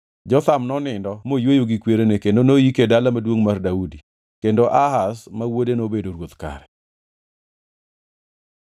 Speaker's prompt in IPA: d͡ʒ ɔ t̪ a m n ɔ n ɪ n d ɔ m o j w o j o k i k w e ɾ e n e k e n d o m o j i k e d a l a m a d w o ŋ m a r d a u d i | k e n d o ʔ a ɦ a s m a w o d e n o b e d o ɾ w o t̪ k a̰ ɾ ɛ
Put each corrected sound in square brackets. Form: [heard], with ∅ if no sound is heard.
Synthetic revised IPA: d͡ʒ ɔ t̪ a m n ɔ n ɪ n d ɔ m o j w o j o [ɡ] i k w e ɾ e n e k e n d o [n] o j i k e d a l a m a d w o ŋ m a r d a u d i | k e n d o ʔ a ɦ a s m a w o d e n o b e d o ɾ w o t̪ k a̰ ɾ ɛ